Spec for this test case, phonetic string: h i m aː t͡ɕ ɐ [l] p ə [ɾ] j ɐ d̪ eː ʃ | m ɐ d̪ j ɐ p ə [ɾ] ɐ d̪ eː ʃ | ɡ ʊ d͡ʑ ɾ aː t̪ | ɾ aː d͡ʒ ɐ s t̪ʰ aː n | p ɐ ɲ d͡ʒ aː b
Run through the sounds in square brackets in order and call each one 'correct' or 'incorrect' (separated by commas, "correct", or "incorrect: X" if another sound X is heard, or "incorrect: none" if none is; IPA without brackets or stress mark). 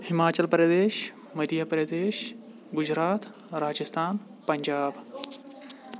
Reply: correct, correct, correct